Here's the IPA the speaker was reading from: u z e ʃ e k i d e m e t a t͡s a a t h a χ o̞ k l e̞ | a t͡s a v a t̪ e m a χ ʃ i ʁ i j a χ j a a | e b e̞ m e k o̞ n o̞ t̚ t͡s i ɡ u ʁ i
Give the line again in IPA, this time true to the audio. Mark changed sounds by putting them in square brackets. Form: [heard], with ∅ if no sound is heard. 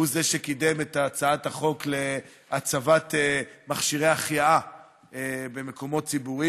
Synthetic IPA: u z e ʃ e k i d e m e t a t͡s a a t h a χ o̞ k l e̞ | a t͡s a v a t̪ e m a χ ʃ i ʁ [e] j a χ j a a | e b e̞ m e k o̞ [m] o̞ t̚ t͡s i [b] u ʁ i